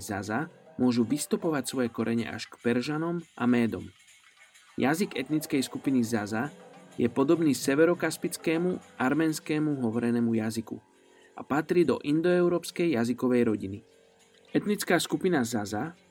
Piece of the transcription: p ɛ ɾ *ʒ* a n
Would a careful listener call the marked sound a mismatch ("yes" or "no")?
no